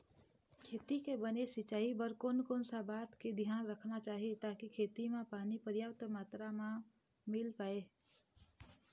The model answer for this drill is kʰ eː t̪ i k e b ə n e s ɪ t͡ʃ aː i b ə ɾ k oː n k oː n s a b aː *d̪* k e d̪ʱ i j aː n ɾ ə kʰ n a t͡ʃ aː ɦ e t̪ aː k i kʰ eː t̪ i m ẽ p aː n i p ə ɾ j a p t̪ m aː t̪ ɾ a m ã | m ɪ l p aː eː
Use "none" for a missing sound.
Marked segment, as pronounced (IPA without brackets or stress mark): t̪